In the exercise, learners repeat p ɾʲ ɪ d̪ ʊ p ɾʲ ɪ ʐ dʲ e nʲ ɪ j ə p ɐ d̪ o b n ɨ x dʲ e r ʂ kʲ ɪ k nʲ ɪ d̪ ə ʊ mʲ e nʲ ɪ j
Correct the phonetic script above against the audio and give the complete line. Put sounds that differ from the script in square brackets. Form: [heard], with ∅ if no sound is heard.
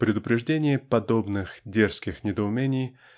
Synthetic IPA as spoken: p ɾʲ ɪ d̪ ʊ p ɾʲ ɪ ʐ dʲ e nʲ ɪ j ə p ɐ d̪ o b n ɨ x dʲ e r [s] kʲ ɪ [x] nʲ ɪ d̪ ə ʊ mʲ e nʲ ɪ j